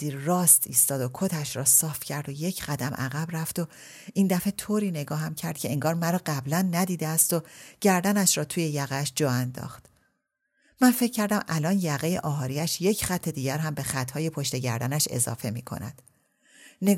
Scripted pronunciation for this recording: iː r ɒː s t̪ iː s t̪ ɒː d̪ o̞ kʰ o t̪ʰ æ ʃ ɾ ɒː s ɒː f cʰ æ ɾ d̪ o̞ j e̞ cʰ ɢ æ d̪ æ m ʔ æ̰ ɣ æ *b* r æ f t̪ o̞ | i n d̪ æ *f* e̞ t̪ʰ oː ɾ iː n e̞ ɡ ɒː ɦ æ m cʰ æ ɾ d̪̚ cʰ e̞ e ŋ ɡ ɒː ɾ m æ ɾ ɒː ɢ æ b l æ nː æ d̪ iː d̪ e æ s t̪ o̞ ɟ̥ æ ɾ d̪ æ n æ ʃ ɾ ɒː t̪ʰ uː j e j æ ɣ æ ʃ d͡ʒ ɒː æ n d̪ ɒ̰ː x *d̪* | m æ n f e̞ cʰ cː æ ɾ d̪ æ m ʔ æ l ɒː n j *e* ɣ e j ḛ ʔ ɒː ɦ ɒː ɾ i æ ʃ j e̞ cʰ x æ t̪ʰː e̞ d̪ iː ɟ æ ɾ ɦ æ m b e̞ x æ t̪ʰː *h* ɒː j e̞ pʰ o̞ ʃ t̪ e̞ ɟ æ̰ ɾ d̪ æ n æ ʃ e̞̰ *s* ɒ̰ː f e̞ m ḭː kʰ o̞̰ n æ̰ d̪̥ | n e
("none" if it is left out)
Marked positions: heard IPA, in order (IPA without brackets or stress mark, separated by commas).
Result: b, f, t̪, æ, h, z